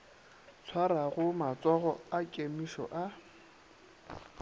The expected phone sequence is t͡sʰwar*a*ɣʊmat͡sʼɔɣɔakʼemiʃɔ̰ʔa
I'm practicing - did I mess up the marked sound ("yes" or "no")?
no